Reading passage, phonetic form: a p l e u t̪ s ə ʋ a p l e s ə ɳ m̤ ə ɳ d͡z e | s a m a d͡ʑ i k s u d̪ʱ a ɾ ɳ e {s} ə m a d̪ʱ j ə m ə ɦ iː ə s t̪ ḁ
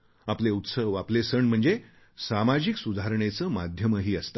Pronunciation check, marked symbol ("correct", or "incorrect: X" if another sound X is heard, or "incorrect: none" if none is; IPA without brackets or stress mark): incorrect: t͡s